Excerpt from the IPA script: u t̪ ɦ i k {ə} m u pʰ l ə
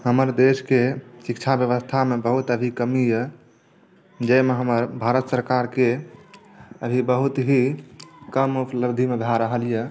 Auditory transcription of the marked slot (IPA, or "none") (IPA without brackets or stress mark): ə